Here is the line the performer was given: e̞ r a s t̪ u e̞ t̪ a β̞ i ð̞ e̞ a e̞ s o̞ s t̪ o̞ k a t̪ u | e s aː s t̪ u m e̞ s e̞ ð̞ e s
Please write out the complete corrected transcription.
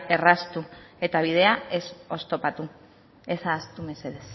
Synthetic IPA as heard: e̞ r a s t̪ u e̞ t̪ a β̞ i ð̞ e̞ a e̞ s o̞ s t̪ o̞ p a t̪ u | e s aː s t̪ u m e̞ s e̞ ð̞ e s